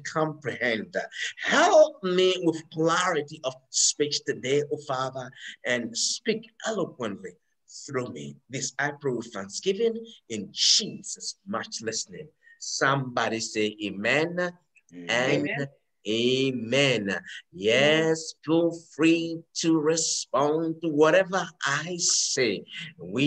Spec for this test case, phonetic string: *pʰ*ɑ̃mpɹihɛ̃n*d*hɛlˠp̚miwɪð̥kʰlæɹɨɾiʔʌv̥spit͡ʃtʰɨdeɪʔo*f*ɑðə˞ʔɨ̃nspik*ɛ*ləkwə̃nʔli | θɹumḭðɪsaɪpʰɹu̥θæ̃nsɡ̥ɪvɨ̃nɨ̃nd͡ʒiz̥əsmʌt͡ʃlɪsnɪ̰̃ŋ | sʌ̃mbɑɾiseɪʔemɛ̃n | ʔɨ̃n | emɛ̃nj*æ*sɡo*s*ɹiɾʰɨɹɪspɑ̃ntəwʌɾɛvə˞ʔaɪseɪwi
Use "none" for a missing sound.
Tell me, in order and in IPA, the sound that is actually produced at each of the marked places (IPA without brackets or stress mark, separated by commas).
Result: kʰ, d, f, ɛ, ɛ, f